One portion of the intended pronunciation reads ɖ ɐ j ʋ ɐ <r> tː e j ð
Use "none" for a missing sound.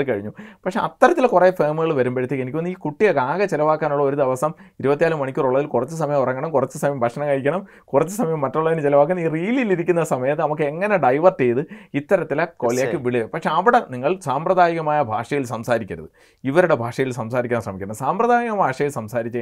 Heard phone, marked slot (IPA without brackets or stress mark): r